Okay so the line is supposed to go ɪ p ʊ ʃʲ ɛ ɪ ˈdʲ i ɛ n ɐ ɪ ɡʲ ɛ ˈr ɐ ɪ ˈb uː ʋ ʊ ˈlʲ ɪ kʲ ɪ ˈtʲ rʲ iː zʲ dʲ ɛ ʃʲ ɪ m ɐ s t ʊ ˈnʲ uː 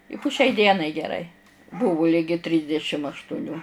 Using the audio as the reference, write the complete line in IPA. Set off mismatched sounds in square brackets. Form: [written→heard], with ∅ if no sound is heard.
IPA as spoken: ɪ p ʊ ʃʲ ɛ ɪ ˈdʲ i ɛ n ɐ ɪ ɡʲ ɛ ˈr ɐ ɪ ˈb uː ʋ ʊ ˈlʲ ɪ [kʲ→ɡʲ] ɪ ˈtʲ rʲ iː zʲ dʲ ɛ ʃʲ ɪ m ɐ [s→ʃ] t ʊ ˈnʲ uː

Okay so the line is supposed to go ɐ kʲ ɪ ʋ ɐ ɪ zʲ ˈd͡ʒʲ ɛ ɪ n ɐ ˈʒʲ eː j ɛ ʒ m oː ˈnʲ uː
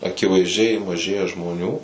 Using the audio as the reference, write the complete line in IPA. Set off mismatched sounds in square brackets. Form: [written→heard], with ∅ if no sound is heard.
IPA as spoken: ɐ kʲ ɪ ʋ ɐ ɪ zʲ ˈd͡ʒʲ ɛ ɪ [n→m] ɐ ˈʒʲ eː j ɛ ʒ m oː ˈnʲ uː

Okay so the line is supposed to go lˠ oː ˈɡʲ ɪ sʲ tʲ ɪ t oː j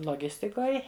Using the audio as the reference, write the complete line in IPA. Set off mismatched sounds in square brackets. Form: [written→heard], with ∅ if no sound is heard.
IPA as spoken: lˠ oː ˈɡʲ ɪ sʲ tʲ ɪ [t→k] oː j

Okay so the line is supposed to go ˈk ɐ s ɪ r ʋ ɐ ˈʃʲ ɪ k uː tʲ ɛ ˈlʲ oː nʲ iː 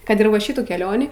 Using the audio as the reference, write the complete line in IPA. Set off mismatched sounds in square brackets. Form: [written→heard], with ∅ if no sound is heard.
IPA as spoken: ˈk ɐ [s→t] ɪ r ʋ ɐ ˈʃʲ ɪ [k→t] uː [tʲ→kʲ] ɛ ˈlʲ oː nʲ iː

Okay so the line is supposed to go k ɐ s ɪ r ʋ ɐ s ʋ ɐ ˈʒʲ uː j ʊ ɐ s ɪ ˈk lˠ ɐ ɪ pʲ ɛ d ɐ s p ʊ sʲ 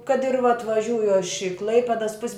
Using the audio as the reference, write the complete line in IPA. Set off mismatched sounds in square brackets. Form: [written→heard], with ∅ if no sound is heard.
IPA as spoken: k ɐ [s→t] ɪ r ʋ ɐ [s→t] ʋ ɐ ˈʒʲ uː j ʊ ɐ [s→ʃ] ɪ ˈk lˠ ɐ ɪ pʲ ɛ d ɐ s p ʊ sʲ

